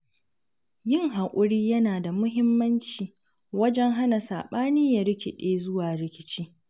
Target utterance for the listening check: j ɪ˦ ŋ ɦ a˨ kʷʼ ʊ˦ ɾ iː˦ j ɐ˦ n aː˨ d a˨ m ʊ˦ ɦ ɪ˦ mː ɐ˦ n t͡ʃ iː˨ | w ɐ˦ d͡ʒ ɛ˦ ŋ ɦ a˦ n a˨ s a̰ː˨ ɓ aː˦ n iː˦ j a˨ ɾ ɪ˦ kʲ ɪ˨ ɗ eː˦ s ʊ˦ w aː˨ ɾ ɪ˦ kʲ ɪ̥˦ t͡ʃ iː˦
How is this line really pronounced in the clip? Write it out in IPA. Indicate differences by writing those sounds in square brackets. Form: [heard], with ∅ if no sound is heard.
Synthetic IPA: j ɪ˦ ŋ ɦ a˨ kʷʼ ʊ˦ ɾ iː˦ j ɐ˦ n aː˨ d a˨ m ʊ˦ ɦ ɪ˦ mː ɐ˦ n t͡ʃ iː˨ | w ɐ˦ d͡ʒ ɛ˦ ŋ ɦ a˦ n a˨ s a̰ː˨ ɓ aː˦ n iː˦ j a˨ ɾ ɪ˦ kʲ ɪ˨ ɗ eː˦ [z] ʊ˦ w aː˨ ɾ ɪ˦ kʲ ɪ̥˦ t͡ʃ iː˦